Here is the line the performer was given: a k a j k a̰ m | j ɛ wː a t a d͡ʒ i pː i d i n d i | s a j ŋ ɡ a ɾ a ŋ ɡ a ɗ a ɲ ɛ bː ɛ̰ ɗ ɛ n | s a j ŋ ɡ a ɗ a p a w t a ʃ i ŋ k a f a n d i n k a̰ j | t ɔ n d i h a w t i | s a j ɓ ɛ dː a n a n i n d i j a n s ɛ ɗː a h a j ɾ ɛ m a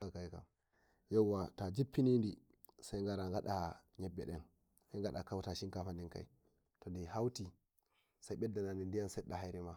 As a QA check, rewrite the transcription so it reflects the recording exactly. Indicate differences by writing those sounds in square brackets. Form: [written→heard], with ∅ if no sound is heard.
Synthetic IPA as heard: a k a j k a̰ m | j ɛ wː a t a d͡ʒ i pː i [d→n] i n d i | s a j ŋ ɡ a ɾ a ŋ ɡ a ɗ a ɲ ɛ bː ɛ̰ ɗ ɛ n | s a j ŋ ɡ a ɗ a [p→k] a w t a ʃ i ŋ k a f a n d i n k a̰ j | t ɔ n d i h a w t i | s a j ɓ ɛ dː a n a n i n d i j a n s ɛ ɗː a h a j ɾ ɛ m a